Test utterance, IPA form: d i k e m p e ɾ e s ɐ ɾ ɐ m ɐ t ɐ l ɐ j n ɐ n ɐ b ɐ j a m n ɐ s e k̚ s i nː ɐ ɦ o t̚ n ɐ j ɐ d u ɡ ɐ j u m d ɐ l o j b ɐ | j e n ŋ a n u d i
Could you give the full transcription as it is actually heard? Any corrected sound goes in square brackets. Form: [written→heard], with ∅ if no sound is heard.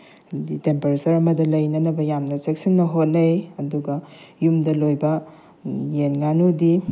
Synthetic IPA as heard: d i [k→t] e m p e ɾ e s ɐ ɾ ɐ m ɐ [t→d] ɐ l ɐ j n ɐ n ɐ b ɐ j a m n ɐ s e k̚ s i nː ɐ ɦ o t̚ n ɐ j ɐ d u ɡ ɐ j u m d ɐ l o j b ɐ | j e n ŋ a n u d i

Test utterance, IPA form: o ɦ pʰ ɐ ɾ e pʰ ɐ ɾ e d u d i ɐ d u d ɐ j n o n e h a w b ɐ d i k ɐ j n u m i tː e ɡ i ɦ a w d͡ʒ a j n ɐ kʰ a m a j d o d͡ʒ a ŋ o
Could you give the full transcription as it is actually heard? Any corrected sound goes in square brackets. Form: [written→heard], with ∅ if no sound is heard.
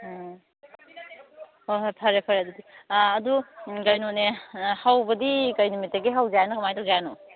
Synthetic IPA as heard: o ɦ pʰ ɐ ɾ e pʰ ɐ ɾ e d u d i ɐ d u [d→ɡ] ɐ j n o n e h a w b ɐ d i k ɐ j n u m i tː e ɡ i ɦ a w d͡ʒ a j n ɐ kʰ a m a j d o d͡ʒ a [ŋ→n] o

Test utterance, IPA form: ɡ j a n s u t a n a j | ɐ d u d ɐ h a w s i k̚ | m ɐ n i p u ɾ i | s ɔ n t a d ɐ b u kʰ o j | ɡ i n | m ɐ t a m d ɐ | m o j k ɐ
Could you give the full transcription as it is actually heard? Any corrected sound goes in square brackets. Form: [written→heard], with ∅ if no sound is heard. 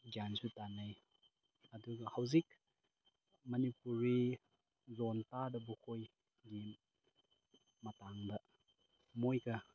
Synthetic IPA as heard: ɡ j a n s u t a n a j | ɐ d u [d→ɡ] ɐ h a w [s→z] i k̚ | m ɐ n i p u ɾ i | [s→z] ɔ n t a d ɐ b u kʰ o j | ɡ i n | m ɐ t a [m→ŋ] d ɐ | m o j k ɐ

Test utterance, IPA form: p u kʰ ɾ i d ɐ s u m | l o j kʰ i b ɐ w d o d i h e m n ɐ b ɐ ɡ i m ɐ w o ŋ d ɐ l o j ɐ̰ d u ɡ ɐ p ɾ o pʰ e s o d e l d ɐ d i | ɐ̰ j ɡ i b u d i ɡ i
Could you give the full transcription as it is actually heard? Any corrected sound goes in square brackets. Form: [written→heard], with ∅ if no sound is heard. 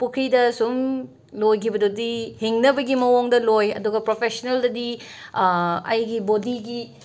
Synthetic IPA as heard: p u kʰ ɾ i d ɐ s u m | l o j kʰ i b ɐ [w→∅] d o d i h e [m→ŋ] n ɐ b ɐ ɡ i m ɐ w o ŋ d ɐ l o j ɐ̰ d u ɡ ɐ p ɾ o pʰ e s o [d→n] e l d ɐ d i | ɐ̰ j ɡ i b [u→o] d i ɡ i

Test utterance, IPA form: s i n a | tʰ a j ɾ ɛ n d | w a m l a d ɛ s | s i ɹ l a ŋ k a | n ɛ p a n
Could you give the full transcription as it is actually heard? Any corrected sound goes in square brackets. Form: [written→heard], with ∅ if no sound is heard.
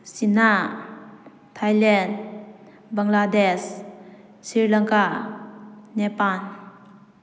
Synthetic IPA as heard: s i n a | tʰ a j [ɾ→l] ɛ n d | [w→b] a [m→ŋ] l a d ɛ s | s i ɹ l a ŋ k a | n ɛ p a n

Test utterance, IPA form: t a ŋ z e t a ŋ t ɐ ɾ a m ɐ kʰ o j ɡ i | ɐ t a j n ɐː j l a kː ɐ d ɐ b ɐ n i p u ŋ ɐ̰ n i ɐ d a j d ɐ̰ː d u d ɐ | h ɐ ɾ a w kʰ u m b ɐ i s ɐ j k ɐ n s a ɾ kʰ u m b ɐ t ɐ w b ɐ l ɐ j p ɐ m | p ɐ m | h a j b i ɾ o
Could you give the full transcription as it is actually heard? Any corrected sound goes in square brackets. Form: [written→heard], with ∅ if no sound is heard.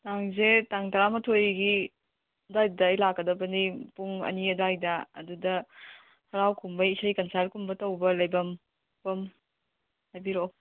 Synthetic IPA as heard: t a ŋ z e t a ŋ t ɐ ɾ a m ɐ [kʰ→tʰ] o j ɡ i | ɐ [t→d] a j [n→d] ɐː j l a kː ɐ d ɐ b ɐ n i p u ŋ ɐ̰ n i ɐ d a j d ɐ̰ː d u d ɐ | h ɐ ɾ a w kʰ u m b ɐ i s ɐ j k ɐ n s a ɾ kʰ u m b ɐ t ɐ w b ɐ l ɐ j [p→b] ɐ m | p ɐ m | h a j b i ɾ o

